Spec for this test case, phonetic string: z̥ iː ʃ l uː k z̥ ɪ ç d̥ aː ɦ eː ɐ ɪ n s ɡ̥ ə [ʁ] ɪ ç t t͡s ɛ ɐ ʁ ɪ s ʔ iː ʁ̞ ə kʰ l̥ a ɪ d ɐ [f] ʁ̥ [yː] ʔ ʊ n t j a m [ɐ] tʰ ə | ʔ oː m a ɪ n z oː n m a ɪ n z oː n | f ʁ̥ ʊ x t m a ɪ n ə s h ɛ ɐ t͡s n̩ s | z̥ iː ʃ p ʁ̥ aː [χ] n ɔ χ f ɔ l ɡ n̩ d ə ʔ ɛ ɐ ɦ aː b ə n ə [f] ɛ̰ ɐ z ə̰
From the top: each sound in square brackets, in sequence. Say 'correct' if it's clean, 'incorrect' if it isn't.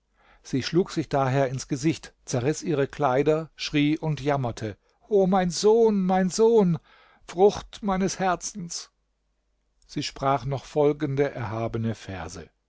incorrect: z, incorrect: ʃ, incorrect: iː, correct, correct, correct

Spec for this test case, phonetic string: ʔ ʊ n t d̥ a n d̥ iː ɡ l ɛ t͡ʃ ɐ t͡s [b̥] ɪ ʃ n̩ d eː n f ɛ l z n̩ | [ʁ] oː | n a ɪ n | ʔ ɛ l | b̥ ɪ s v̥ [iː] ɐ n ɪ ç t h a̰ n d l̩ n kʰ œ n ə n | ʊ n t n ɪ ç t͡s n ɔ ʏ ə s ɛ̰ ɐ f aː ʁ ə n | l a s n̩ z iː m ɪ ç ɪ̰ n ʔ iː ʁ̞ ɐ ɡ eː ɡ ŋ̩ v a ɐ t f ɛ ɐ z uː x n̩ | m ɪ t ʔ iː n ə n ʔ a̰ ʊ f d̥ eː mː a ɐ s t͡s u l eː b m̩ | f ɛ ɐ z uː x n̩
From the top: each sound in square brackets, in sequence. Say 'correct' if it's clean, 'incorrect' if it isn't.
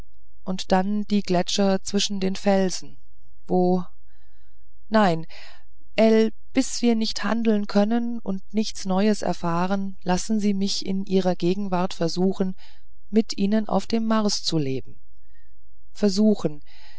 incorrect: v̥, incorrect: v, correct

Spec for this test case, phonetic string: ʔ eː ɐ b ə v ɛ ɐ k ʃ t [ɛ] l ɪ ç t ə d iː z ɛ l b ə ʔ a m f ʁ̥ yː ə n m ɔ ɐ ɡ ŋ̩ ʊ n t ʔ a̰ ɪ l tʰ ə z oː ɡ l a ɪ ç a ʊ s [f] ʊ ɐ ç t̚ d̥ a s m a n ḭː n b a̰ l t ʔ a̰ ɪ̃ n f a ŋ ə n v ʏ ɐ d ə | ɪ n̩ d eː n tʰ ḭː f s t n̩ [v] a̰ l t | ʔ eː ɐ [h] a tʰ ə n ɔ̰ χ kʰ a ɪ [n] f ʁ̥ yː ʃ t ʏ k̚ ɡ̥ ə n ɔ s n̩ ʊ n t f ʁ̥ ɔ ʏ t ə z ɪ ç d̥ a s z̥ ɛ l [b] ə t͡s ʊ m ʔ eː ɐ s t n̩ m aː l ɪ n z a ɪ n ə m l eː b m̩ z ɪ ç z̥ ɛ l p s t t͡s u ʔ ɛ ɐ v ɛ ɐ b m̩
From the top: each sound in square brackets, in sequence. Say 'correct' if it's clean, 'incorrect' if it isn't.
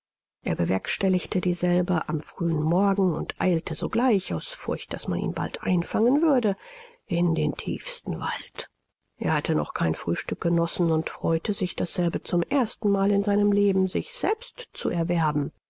correct, correct, correct, correct, correct, correct

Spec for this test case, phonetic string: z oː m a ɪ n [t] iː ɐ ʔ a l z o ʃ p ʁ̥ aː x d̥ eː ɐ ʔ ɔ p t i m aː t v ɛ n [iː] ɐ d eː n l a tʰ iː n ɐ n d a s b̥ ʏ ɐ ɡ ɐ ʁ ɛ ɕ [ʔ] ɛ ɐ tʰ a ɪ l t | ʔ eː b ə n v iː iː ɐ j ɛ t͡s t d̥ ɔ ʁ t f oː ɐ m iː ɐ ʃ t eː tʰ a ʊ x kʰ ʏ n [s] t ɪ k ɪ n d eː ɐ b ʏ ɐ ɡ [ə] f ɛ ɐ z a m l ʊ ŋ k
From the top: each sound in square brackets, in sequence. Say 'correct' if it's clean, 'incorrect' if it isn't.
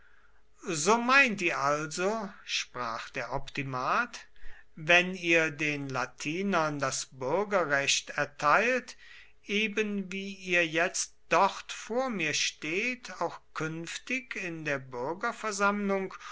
correct, correct, incorrect: t, incorrect: f, incorrect: ɐ

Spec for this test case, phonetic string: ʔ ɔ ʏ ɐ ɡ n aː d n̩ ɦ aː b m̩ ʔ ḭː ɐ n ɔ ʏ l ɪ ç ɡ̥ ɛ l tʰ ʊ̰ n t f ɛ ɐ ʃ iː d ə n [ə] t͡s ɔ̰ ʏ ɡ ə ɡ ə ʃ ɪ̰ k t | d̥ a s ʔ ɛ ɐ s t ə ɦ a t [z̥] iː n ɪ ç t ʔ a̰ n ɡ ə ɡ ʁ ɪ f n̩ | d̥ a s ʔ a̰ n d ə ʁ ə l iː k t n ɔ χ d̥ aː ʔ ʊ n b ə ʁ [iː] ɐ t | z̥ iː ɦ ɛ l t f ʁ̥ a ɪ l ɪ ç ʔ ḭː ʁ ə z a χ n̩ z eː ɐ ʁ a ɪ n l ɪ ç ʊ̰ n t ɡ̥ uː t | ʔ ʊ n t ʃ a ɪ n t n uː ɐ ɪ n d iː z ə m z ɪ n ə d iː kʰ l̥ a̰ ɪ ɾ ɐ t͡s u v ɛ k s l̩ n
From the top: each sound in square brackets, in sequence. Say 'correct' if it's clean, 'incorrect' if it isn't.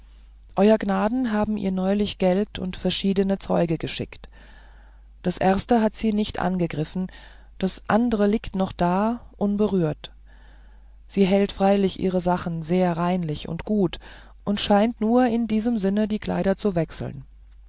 correct, correct, incorrect: yː

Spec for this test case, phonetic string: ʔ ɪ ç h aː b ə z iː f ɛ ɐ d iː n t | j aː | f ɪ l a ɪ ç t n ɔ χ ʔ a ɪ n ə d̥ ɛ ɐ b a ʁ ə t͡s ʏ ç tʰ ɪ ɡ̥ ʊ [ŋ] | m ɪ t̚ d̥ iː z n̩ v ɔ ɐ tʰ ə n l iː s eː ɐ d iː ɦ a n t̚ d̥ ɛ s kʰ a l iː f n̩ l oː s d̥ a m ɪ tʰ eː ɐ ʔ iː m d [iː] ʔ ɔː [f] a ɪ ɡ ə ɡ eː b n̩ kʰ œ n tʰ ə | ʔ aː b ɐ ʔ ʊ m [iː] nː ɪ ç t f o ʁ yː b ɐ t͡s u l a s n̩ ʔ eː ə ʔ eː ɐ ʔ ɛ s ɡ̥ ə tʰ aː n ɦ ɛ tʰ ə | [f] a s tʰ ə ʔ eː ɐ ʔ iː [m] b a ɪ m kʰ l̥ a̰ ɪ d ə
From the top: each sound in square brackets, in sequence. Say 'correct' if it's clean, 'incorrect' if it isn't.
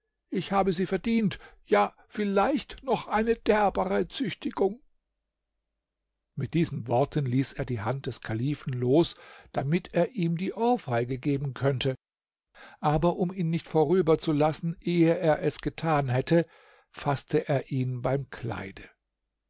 correct, correct, correct, correct, correct, incorrect: n

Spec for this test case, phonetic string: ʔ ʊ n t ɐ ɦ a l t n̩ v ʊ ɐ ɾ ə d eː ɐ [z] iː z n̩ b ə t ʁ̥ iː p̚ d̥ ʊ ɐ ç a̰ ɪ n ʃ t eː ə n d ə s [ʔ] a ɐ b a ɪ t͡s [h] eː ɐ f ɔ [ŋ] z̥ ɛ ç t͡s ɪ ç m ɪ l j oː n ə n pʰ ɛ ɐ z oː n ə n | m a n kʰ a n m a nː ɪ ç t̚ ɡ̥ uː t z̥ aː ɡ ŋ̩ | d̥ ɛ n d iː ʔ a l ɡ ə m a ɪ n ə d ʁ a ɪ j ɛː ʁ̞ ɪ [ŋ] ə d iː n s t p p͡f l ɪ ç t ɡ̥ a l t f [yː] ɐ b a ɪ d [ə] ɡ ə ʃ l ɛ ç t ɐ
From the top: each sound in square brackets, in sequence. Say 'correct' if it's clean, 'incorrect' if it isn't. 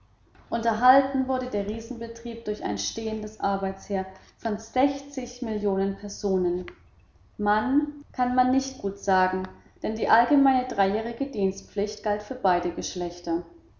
incorrect: ʁ, correct, correct, incorrect: n, incorrect: ɡ, correct, correct

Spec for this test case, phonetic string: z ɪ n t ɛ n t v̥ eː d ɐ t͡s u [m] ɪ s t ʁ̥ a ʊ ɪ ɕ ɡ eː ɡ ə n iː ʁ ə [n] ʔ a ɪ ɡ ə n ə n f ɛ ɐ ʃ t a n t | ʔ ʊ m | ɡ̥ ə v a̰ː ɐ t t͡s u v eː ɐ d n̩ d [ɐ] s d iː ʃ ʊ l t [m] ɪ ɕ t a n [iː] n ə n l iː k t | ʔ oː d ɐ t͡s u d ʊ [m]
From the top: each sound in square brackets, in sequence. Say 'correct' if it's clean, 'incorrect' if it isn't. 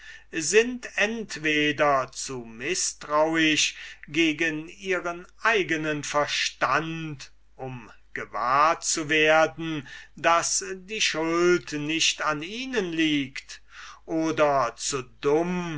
correct, correct, incorrect: a, incorrect: n, correct, correct

